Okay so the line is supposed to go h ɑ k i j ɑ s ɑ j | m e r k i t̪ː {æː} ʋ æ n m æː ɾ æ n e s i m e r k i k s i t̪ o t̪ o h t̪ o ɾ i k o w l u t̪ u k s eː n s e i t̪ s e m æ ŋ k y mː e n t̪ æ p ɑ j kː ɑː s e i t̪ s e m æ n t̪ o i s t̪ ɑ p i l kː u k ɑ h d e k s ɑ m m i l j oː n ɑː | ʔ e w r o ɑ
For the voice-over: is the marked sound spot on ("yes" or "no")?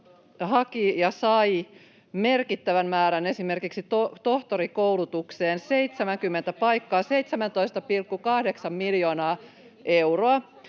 no